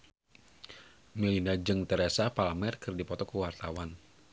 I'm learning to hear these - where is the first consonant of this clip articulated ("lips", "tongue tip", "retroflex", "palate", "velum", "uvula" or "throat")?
lips